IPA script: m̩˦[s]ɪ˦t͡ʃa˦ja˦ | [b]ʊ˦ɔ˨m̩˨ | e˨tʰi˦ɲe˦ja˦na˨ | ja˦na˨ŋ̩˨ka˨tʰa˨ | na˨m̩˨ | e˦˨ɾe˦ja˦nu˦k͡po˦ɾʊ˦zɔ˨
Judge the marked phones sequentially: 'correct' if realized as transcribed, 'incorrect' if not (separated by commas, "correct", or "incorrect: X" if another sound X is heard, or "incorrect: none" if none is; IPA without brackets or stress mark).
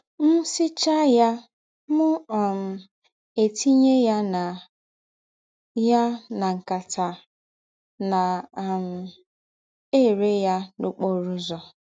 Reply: correct, incorrect: m